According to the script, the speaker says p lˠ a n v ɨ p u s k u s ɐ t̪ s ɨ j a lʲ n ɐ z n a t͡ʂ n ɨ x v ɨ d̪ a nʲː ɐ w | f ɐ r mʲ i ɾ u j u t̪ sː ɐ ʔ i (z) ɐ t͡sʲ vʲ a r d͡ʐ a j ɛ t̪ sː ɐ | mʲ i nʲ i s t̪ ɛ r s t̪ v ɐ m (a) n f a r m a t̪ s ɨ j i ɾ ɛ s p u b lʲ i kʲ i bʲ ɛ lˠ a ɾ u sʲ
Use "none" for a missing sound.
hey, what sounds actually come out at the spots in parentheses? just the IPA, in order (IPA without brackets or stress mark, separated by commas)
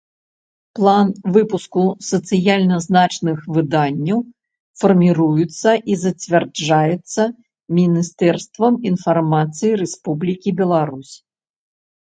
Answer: z, i